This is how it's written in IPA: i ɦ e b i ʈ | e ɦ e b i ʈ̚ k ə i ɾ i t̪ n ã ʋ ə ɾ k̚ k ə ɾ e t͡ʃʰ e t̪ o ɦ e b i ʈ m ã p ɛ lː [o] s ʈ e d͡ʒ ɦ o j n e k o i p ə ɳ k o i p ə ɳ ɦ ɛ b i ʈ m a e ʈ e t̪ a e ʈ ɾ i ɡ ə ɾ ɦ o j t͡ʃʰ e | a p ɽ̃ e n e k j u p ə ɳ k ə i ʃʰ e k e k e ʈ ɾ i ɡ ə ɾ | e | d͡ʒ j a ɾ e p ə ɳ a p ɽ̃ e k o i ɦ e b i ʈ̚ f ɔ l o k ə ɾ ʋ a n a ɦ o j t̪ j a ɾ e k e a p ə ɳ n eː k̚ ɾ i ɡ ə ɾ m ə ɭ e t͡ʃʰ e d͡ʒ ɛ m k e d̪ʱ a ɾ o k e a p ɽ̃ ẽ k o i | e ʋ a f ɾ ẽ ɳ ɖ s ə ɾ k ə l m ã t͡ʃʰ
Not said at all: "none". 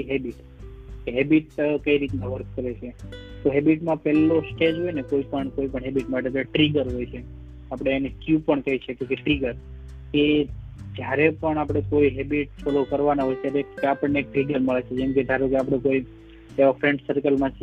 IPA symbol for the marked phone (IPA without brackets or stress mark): o